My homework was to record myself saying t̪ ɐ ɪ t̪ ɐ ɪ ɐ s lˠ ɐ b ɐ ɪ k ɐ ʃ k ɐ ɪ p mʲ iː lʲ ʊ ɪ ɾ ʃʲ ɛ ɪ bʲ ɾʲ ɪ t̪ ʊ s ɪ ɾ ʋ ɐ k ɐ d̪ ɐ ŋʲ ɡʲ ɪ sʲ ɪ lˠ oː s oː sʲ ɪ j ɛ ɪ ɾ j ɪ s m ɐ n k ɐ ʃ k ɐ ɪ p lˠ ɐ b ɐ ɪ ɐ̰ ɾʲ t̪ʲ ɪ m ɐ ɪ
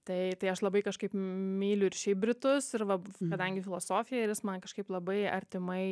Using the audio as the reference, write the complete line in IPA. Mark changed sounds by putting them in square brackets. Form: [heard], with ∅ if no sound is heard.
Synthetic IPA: t̪ ɐ ɪ t̪ ɐ ɪ ɐ [ʃ] lˠ ɐ b ɐ ɪ k ɐ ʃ k ɐ ɪ p mʲ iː lʲ ʊ ɪ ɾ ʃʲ ɛ ɪ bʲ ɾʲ ɪ t̪ ʊ s ɪ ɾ ʋ ɐ k ɐ d̪ ɐ ŋʲ ɡʲ ɪ [fʲ] ɪ lˠ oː s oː [fʲ] ɪ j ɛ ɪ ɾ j ɪ s m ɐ n k ɐ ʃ k ɐ ɪ p lˠ ɐ b ɐ ɪ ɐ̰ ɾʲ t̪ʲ ɪ m ɐ ɪ